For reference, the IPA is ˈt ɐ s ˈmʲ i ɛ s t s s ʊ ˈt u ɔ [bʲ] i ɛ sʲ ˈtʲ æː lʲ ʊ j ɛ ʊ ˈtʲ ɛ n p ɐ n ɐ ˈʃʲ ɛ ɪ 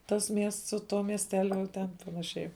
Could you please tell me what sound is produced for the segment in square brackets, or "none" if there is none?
mʲ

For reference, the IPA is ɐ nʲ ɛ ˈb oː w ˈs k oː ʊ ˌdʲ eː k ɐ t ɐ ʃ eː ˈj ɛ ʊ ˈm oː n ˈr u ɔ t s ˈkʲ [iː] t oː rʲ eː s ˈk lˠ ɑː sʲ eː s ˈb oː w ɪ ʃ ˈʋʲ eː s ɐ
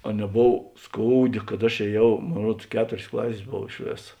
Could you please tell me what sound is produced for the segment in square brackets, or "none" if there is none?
æː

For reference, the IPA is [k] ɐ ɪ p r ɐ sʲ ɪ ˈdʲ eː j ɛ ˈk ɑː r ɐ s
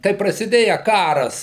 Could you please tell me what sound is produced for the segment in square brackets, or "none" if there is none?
k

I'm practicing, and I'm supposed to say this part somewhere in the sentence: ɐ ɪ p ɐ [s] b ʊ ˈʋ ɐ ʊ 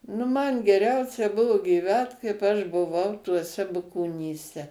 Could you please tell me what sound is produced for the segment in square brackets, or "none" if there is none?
ʃ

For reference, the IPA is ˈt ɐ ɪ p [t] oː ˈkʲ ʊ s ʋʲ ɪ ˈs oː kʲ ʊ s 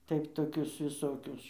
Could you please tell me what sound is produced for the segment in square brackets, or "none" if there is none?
t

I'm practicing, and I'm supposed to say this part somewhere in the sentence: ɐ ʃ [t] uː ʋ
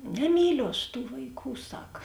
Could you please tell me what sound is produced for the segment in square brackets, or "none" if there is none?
t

